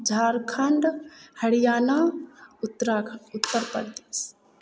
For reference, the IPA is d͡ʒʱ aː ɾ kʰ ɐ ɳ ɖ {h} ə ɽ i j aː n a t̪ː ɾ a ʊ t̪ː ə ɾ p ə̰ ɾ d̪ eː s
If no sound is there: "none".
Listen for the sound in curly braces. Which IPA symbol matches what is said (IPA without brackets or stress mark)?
h